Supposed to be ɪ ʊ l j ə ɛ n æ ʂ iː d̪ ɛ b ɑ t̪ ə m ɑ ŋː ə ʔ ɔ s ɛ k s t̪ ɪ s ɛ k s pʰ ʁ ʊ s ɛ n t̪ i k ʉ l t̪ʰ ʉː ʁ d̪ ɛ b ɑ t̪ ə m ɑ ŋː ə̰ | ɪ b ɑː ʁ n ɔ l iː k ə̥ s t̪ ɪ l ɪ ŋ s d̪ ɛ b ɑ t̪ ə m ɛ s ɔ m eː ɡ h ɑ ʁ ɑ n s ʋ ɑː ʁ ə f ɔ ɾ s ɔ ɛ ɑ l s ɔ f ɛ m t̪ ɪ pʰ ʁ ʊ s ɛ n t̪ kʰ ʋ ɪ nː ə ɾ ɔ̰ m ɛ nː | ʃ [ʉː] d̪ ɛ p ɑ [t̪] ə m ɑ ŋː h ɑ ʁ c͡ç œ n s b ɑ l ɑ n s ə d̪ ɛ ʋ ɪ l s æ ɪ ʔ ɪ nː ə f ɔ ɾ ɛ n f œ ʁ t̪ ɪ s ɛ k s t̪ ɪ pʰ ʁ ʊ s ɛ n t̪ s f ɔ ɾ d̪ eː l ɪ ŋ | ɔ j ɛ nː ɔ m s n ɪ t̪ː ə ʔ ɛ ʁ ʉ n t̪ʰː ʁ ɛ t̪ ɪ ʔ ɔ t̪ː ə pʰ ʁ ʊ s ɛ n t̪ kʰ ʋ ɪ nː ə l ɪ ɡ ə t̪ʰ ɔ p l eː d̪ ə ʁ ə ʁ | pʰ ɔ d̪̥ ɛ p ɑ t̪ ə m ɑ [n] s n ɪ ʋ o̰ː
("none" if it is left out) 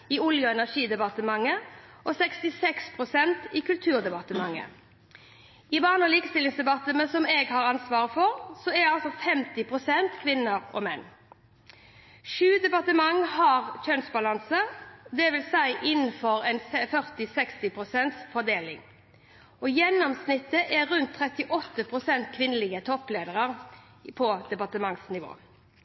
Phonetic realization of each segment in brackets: ʉː, t̪, ŋ

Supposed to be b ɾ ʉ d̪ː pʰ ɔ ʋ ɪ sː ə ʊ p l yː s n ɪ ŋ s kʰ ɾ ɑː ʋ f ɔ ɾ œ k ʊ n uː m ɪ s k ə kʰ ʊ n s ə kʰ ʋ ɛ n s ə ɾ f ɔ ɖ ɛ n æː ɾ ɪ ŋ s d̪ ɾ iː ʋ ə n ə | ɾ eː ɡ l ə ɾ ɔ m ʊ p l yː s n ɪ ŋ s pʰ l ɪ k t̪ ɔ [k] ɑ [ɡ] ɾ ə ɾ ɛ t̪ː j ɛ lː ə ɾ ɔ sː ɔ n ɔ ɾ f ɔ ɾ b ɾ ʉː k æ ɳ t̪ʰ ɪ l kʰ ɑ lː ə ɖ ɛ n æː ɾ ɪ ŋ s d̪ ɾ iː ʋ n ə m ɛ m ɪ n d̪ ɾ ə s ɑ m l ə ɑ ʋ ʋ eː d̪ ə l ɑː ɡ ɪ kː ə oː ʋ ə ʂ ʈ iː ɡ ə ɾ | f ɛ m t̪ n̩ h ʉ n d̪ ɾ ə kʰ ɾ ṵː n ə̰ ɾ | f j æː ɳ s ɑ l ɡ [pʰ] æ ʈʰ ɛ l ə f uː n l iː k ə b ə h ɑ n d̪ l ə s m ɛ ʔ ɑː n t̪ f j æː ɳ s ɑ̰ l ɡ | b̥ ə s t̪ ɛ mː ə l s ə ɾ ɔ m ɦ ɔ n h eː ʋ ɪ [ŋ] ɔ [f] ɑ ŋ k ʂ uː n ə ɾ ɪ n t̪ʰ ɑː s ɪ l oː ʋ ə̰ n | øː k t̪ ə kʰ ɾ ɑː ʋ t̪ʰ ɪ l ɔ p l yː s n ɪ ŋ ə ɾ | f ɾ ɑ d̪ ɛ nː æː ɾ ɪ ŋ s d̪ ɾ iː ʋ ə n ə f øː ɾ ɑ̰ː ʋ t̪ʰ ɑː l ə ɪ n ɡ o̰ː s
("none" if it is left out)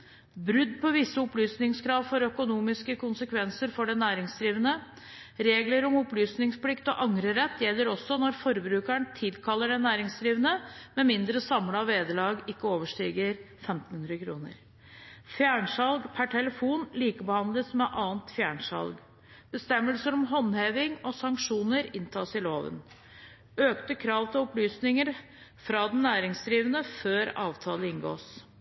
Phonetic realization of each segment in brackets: ʔ, ŋ, pʰ, ŋ, s

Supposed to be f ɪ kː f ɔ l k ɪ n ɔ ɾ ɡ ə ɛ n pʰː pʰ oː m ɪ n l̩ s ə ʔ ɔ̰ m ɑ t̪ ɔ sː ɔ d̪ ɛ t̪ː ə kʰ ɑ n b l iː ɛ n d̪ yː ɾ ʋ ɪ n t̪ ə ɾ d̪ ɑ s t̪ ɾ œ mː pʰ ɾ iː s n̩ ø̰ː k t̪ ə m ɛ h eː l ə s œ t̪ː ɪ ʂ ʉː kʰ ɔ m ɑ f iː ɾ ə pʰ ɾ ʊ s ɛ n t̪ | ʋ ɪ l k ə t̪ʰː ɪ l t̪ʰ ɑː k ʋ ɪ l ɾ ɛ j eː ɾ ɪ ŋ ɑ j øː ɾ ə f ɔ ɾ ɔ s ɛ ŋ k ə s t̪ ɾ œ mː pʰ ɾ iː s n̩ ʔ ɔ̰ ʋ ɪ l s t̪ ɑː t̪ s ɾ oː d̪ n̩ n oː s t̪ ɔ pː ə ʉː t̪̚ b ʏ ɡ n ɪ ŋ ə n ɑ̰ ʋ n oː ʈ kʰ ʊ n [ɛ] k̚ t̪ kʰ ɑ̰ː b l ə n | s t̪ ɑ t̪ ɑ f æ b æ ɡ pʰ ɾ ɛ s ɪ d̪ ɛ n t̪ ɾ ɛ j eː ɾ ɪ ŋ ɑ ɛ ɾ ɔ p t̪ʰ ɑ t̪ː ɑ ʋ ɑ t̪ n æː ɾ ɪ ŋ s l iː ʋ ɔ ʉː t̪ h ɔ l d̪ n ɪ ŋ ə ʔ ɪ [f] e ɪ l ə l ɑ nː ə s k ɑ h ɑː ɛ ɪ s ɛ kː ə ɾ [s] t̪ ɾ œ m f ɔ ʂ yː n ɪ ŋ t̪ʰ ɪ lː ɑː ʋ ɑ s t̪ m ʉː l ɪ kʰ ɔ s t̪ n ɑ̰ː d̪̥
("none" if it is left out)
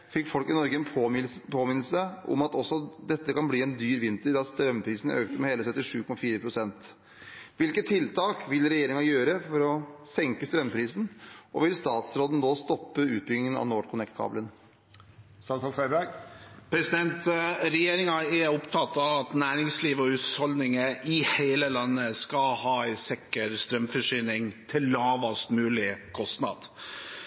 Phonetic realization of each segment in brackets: ɛ, h, s

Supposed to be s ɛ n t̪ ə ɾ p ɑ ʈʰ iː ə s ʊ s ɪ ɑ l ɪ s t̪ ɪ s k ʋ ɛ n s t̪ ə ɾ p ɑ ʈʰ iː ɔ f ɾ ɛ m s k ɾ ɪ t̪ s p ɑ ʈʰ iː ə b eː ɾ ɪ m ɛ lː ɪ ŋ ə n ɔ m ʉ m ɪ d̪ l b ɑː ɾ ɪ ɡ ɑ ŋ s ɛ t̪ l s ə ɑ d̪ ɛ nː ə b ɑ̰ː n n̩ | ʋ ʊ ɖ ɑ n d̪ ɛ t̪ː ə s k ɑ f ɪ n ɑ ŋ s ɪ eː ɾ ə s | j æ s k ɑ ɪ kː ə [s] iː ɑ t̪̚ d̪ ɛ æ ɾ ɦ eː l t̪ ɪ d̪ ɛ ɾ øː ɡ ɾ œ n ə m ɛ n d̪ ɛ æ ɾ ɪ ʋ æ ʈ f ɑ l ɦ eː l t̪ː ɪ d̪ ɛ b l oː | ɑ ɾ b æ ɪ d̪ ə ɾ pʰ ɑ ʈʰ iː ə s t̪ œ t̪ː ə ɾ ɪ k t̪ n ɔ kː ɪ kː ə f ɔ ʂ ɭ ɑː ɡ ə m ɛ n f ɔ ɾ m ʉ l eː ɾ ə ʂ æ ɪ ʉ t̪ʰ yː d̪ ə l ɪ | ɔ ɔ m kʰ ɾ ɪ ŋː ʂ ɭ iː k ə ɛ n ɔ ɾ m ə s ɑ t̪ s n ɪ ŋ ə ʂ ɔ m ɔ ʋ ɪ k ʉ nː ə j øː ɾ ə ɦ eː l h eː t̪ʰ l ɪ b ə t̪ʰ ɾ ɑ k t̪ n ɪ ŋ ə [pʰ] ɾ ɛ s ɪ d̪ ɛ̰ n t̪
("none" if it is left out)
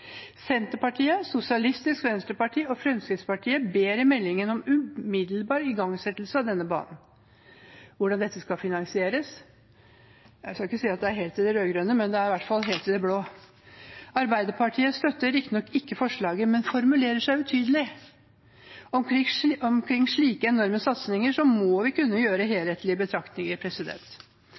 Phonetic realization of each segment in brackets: s, pʰ

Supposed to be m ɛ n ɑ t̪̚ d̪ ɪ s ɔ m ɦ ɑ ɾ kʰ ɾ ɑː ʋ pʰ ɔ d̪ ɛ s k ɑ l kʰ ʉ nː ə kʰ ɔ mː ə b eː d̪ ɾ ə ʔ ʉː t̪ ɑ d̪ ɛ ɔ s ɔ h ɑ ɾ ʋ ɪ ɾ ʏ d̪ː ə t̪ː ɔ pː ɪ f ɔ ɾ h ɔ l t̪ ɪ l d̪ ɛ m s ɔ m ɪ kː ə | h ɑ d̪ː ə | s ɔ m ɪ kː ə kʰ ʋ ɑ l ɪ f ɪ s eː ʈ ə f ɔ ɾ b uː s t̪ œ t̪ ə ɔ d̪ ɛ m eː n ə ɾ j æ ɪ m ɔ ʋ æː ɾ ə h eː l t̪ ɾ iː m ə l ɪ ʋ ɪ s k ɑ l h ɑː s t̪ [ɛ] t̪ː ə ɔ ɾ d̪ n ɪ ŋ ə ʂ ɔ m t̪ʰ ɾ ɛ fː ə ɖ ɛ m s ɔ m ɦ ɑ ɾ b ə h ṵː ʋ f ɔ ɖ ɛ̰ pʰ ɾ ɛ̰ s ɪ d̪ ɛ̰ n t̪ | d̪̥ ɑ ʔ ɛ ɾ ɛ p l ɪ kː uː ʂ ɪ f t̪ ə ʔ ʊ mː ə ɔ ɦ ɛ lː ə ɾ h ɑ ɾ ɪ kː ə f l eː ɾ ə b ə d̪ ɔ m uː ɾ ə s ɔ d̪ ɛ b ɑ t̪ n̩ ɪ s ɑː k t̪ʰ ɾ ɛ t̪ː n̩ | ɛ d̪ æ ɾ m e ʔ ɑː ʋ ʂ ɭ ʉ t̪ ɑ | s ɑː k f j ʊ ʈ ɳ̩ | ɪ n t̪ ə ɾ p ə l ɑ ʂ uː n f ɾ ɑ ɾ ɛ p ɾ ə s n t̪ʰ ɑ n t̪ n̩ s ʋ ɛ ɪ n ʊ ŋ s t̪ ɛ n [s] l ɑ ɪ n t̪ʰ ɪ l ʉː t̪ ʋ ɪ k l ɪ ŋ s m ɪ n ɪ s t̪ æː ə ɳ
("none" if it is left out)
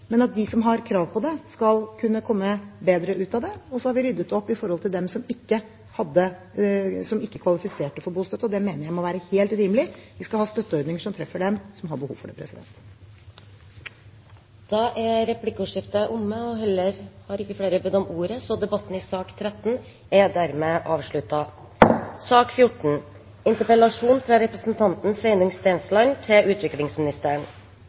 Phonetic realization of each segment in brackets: œ, s

